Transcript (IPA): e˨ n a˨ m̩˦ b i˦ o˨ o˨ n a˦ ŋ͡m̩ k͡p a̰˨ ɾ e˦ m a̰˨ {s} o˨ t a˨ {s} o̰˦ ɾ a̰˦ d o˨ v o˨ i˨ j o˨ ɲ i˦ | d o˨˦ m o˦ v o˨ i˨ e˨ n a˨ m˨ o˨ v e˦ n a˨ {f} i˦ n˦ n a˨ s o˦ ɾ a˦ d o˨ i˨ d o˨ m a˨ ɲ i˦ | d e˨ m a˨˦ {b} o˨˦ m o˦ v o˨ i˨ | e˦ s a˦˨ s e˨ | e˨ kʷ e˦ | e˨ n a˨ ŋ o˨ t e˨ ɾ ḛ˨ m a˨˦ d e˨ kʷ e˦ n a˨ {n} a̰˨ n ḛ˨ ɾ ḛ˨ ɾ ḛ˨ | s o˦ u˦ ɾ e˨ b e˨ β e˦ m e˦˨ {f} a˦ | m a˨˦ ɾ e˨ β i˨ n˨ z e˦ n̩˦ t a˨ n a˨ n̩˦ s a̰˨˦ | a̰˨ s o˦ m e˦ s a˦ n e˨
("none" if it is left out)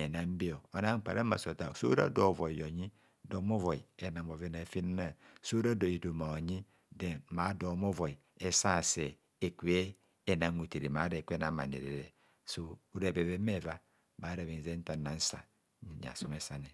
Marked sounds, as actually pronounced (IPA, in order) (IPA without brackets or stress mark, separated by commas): s, s, f, d, m, v